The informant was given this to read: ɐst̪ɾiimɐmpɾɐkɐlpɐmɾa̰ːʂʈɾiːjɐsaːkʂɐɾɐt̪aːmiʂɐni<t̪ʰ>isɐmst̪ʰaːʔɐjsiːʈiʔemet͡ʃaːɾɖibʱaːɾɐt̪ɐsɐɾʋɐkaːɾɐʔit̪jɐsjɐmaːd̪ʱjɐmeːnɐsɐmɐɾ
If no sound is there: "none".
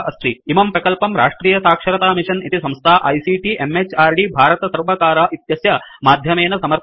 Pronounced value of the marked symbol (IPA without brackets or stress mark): t̪